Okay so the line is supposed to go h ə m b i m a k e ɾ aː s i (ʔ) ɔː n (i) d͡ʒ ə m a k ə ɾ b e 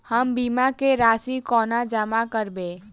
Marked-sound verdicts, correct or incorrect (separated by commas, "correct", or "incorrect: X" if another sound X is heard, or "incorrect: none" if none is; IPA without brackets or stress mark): incorrect: k, incorrect: a